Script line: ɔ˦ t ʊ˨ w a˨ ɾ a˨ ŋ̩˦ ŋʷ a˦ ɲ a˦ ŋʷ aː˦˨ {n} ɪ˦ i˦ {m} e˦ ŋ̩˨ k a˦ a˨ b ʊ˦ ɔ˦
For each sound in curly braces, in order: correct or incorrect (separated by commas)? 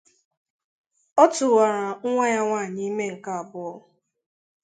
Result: incorrect, correct